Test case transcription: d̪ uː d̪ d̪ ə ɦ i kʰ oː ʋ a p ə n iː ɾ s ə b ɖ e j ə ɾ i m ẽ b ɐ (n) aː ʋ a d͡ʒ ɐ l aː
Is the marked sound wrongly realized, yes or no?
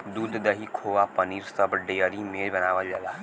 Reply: no